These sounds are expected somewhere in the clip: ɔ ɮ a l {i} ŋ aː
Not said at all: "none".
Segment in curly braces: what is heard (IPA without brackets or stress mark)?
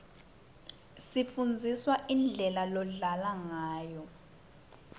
a